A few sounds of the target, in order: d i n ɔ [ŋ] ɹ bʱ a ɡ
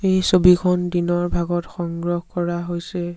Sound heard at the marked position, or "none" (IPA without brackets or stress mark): none